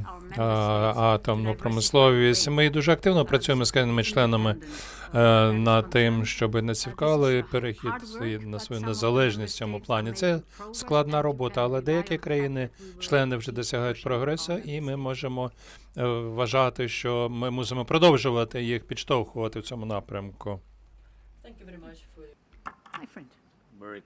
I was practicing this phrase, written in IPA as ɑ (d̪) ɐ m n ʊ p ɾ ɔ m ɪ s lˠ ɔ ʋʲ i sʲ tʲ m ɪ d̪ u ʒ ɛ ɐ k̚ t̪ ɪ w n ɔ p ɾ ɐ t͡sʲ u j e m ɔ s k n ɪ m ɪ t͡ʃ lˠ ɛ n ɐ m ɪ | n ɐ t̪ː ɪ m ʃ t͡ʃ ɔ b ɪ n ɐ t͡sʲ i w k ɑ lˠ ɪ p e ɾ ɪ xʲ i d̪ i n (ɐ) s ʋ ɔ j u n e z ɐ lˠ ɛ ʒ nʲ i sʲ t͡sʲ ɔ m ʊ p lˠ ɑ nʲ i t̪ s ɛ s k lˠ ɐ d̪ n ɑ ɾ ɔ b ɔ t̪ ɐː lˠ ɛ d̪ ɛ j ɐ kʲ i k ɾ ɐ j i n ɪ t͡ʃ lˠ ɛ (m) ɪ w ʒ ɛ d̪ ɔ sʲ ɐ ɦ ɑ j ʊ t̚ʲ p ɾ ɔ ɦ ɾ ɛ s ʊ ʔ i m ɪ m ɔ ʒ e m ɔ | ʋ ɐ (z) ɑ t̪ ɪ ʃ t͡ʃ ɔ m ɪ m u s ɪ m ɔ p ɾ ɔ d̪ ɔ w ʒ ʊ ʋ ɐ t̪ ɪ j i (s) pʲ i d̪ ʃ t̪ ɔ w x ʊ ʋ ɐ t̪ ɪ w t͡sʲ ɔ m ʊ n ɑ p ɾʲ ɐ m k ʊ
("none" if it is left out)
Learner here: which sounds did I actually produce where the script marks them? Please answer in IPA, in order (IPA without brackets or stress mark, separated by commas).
t̪, ɐ, n, ʒ, x